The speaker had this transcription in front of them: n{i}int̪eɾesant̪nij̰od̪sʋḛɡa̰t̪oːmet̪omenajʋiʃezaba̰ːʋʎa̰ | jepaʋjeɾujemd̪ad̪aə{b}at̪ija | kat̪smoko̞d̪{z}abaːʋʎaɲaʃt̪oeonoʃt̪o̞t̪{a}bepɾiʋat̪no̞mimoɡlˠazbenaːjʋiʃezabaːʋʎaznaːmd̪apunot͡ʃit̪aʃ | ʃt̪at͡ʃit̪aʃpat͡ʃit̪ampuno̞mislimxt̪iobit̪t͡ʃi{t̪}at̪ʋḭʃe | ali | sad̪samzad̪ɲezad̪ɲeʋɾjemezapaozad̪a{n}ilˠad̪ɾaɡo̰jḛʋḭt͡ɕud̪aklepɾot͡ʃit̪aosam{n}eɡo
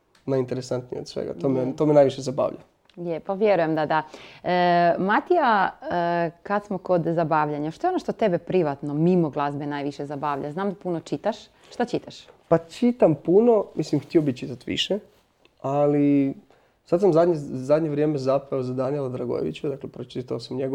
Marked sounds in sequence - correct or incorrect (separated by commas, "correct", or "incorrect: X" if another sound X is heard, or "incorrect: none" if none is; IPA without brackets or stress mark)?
incorrect: a, incorrect: m, correct, incorrect: e, correct, correct, incorrect: ɲ